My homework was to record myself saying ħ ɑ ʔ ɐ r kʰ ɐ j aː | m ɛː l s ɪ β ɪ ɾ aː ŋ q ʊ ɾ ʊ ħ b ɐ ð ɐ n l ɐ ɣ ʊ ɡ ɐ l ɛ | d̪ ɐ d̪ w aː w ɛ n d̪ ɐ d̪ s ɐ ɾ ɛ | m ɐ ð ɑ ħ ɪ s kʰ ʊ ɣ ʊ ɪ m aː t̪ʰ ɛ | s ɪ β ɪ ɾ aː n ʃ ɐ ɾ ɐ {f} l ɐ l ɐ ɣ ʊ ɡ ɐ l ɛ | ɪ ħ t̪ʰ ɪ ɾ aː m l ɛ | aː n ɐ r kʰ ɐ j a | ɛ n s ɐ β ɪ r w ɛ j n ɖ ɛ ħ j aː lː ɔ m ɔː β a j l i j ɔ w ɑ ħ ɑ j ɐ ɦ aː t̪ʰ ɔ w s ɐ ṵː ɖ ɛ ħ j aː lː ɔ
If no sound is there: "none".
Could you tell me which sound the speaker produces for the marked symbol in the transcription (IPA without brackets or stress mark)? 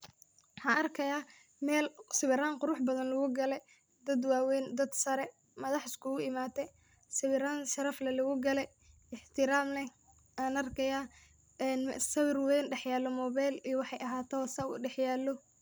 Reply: f